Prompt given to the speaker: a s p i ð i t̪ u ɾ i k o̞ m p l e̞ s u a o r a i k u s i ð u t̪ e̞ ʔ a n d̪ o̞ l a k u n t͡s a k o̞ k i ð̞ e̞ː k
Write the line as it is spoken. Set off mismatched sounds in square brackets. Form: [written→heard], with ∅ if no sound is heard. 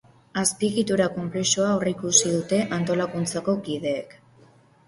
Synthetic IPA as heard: a s p i [ð→ɣ] i t̪ u ɾ [i→a] k o̞ m p l e̞ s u a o r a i k u s i ð u t̪ e̞ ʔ a n [d̪→t̪] o̞ l a k u n t͡s a k o̞ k i ð̞ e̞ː k